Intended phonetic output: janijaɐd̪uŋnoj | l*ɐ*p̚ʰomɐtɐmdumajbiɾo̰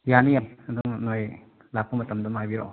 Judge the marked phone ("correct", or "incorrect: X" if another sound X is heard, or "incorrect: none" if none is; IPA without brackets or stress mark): incorrect: a